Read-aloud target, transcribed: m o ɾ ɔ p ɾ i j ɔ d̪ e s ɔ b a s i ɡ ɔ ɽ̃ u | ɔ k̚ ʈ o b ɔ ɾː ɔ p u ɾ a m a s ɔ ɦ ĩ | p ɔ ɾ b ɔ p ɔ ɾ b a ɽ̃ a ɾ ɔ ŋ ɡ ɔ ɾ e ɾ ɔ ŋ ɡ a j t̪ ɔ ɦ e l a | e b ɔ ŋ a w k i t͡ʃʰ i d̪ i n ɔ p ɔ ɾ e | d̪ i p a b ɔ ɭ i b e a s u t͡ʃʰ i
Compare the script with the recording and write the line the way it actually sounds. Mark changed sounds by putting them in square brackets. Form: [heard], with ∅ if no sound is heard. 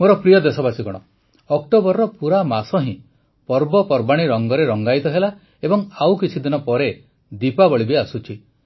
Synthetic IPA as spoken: m o ɾ ɔ p ɾ i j ɔ d̪ e s ɔ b a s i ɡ ɔ ɽ̃ [ɔ] | ɔ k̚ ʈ o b ɔ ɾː ɔ p u ɾ a m a s ɔ ɦ ĩ | p ɔ ɾ b ɔ p ɔ ɾ b a ɽ̃ [i] ɾ ɔ ŋ ɡ ɔ ɾ e ɾ ɔ ŋ ɡ a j t̪ ɔ ɦ e l a | e b ɔ ŋ a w k i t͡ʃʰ i d̪ i n ɔ p ɔ ɾ e | d̪ i p a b ɔ ɭ i b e a s u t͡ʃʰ i

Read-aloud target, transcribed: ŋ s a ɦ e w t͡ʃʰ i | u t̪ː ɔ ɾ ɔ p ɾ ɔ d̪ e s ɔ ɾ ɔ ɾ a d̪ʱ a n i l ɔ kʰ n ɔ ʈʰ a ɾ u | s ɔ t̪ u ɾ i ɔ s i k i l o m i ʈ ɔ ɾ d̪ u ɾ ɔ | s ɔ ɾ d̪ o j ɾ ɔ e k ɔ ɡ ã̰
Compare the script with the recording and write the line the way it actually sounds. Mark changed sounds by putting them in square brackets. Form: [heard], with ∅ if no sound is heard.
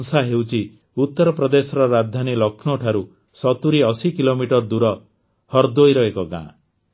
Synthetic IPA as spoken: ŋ s a ɦ e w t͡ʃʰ i | u t̪ː ɔ ɾ ɔ p ɾ ɔ d̪ e s ɔ ɾ ɔ ɾ a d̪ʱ a n i l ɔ kʰ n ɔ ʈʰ a ɾ u | s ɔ t̪ u ɾ i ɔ s i k i l o m i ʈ ɔ ɾ d̪ u ɾ ɔ | [h] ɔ ɾ d̪ o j ɾ ɔ e k ɔ ɡ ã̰

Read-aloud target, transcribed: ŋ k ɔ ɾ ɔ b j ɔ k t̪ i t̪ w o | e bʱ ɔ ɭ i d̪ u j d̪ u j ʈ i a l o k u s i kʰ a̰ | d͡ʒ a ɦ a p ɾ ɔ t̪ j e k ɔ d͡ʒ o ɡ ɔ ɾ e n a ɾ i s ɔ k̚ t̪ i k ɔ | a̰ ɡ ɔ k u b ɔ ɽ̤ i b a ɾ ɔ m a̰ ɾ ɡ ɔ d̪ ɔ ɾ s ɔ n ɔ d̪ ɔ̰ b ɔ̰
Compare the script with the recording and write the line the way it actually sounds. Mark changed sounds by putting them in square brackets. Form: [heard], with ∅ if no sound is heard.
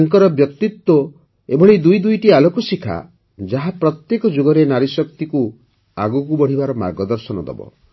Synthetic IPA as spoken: ŋ k ɔ ɾ ɔ b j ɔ k t̪ i t̪ w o | e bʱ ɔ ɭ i d̪ u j d̪ u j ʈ i a l o k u s i kʰ a̰ | d͡ʒ a ɦ a p ɾ ɔ t̪ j e k ɔ d͡ʒ o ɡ ɔ ɾ e n a ɾ i s ɔ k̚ t̪ i k [u] | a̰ ɡ [u] k u b ɔ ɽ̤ i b a ɾ ɔ m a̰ ɾ ɡ ɔ d̪ ɔ ɾ s ɔ n ɔ d̪ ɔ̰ b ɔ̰

